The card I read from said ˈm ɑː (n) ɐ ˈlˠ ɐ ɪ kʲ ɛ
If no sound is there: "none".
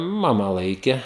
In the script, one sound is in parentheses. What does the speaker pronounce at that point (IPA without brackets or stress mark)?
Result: m